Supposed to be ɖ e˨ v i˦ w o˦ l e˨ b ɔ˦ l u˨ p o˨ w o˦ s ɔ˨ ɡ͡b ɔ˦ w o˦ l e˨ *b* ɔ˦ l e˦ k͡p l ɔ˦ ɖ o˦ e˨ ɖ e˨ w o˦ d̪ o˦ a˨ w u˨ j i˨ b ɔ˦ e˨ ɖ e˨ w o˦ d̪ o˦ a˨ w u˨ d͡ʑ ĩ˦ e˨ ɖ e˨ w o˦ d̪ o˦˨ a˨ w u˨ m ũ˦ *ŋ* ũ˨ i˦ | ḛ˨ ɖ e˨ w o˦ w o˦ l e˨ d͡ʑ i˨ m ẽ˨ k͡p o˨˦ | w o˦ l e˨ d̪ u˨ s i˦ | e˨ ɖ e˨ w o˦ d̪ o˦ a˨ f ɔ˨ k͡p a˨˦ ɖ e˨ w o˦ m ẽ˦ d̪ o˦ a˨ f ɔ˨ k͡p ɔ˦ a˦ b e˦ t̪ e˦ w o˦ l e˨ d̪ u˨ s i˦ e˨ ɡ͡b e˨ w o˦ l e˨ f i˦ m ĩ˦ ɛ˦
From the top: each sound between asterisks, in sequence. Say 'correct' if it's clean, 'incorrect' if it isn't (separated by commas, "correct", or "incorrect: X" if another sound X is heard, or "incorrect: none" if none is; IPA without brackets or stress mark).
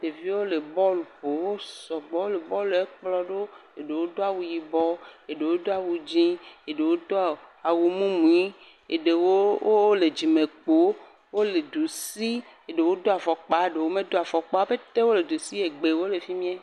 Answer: correct, incorrect: m